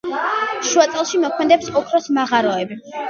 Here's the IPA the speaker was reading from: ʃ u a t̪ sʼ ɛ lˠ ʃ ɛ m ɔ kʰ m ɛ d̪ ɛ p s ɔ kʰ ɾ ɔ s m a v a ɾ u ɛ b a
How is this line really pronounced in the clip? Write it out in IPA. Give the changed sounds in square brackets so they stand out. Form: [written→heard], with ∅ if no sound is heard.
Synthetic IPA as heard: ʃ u a t̪ sʼ ɛ lˠ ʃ [ɛ→i] m ɔ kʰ m ɛ d̪ ɛ p s ɔ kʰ ɾ ɔ s m a [v→ʁ] a ɾ [u→ɔ] ɛ b [a→i]